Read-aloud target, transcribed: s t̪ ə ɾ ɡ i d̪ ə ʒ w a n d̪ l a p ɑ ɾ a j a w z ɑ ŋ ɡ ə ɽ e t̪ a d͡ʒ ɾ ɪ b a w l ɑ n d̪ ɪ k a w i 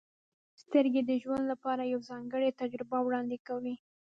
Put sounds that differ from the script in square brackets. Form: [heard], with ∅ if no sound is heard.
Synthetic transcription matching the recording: s t̪ ə ɾ ɡ [e] d̪ ə ʒ w a n d̪ l a p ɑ ɾ a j a w z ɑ ŋ ɡ ə ɽ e t̪ a d͡ʒ ɾ ɪ b a w [ɽ] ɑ n d̪ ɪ k a w i